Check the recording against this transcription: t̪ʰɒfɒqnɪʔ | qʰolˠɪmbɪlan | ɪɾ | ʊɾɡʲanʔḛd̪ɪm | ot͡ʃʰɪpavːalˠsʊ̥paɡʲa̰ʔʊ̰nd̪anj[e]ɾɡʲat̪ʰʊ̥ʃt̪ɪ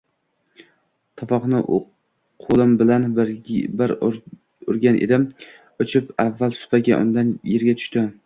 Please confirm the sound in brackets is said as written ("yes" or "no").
yes